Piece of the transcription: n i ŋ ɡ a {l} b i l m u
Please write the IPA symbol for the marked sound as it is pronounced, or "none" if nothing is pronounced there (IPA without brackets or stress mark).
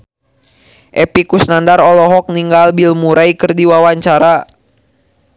l